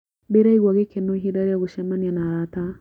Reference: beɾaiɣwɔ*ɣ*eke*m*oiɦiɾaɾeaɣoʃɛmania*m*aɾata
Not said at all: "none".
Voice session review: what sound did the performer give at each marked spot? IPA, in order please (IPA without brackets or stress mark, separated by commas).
ɣ, n, n